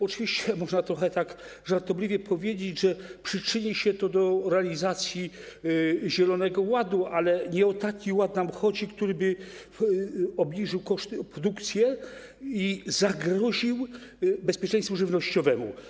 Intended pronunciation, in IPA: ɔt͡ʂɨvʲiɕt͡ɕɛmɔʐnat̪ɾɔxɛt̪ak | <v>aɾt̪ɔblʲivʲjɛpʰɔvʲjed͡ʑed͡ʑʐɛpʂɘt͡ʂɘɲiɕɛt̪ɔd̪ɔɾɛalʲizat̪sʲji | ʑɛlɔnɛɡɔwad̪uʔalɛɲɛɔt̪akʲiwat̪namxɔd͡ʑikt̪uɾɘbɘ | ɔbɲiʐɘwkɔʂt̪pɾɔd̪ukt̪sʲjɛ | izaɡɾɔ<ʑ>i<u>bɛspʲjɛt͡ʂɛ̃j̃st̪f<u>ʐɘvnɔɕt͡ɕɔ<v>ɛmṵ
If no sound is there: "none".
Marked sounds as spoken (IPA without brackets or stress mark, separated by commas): ʐ, ʑ, w, u, v